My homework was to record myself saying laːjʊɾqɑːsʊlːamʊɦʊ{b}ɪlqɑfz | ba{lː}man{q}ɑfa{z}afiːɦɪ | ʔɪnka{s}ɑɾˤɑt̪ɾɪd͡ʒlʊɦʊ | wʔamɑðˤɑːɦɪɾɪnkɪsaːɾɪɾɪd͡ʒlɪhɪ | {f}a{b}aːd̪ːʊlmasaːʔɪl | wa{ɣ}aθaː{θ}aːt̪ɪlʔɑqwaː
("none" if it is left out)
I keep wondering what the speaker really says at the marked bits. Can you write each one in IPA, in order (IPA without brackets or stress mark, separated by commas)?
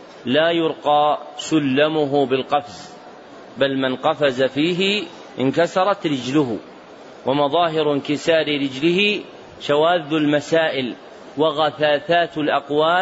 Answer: b, l, q, z, s, ʃ, w, ɣ, θ